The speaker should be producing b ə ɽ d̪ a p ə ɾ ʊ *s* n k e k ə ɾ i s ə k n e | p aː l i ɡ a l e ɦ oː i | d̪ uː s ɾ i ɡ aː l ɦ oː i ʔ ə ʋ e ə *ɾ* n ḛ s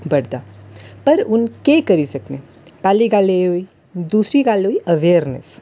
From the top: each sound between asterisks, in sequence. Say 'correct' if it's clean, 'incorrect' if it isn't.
incorrect: none, correct

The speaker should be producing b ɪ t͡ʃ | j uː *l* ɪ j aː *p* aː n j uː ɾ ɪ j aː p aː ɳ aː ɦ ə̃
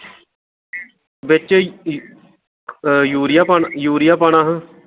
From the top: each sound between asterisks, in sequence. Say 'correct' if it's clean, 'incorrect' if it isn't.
incorrect: ɾ, correct

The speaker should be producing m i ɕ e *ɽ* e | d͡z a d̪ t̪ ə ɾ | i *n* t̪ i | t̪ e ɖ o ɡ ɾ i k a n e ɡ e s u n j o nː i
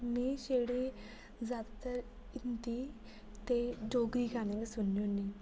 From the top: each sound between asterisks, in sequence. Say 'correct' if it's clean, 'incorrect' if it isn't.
correct, correct

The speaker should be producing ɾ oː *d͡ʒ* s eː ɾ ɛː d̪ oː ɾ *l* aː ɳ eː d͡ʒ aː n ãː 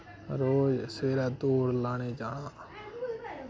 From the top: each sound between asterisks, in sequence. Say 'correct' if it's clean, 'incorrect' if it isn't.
correct, correct

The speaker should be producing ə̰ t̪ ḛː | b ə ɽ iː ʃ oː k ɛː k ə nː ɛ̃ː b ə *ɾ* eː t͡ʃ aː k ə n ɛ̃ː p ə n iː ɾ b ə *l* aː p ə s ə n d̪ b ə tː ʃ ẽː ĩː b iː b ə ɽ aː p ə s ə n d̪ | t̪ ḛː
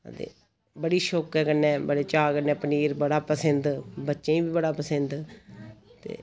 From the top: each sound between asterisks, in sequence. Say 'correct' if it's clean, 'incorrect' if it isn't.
incorrect: ɽ, incorrect: ɽ

